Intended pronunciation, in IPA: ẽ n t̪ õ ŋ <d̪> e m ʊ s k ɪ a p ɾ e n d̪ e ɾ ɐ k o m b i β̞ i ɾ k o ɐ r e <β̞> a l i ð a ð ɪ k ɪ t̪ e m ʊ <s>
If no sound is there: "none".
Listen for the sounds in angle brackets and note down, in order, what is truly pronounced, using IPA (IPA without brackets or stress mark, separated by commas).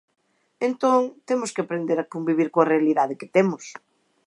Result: t̪, none, s